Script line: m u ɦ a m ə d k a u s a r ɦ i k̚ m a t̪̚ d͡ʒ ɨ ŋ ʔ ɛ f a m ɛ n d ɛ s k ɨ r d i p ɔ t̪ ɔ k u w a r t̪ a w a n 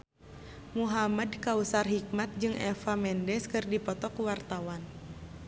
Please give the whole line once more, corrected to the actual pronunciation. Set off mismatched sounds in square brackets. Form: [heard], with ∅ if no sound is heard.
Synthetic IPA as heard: m u ɦ a m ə d k a u s a r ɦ i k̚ m a t̪̚ d͡ʒ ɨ ŋ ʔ ɛ f a m ɛ n d ɛ s k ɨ r d i p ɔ t̪ ɔ k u w a r t̪ a w a n